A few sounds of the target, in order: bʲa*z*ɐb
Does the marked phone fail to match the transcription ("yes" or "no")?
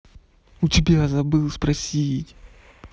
no